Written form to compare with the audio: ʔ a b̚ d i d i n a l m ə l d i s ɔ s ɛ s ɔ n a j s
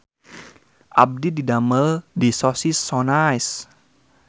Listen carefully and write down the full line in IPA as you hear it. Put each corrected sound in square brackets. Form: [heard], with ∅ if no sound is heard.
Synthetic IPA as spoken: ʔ a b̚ d i d i [d] a [∅] m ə l d i s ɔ s [i] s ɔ n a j s